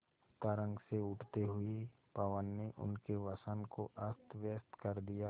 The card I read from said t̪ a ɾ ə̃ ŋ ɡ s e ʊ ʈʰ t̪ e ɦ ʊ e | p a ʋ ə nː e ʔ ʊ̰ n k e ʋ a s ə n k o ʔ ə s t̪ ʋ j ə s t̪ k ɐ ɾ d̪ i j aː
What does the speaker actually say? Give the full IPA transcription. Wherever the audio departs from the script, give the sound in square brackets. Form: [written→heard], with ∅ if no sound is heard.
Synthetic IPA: t̪ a ɾ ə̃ ŋ ɡ s e ʊ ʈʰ t̪ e ɦ ʊ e | p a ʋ ə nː e ʔ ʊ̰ n k e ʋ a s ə n k o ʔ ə s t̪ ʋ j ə s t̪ k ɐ ɾ d̪ i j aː